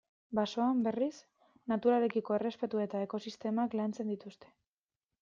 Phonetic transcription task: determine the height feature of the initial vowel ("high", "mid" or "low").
low